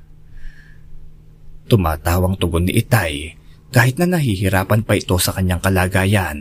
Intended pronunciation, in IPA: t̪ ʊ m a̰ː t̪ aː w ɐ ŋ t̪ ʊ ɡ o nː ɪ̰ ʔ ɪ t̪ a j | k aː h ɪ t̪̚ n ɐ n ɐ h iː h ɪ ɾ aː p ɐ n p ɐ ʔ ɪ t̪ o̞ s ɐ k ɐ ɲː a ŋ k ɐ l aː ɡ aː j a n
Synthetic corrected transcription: t̪ ʊ m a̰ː t̪ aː w ɐ ŋ t̪ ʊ ɡ o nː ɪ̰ ʔ ɪ t̪ a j | k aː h ɪ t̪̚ n ɐ n ɐ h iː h ɪ ɾ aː p ɐ n p ɐ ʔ ɪ t̪ o̞ s ɐ k ɐ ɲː a ŋ k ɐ l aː ɡ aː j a n